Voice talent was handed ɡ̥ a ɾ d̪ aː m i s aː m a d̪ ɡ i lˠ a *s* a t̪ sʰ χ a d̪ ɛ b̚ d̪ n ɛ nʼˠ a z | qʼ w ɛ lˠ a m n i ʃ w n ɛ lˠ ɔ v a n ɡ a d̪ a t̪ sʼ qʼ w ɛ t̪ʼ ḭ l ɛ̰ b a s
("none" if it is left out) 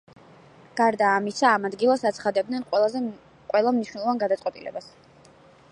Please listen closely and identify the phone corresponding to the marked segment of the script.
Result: s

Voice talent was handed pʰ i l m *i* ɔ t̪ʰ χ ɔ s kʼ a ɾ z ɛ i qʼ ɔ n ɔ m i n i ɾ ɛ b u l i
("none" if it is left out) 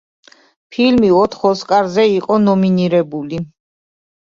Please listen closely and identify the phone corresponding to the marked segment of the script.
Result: i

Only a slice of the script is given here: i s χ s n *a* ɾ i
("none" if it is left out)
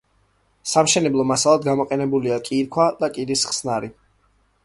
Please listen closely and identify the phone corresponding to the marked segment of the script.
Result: a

